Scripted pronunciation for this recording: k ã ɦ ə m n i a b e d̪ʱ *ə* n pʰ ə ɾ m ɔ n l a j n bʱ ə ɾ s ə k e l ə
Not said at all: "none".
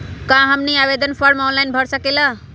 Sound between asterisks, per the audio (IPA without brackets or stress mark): ə